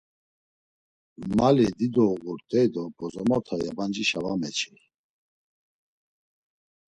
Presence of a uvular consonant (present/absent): absent